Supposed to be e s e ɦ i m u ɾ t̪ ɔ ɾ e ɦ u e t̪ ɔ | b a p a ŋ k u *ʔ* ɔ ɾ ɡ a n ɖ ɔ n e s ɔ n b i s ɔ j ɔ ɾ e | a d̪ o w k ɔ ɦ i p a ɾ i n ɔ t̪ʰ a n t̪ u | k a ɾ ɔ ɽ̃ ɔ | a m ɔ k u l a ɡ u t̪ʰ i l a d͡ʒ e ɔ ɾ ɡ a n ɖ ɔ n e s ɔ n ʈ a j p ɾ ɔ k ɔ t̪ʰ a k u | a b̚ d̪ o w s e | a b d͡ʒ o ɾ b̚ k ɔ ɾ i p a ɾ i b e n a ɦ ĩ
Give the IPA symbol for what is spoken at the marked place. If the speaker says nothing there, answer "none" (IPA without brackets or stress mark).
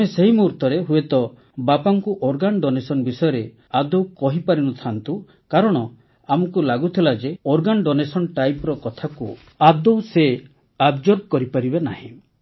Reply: ʔ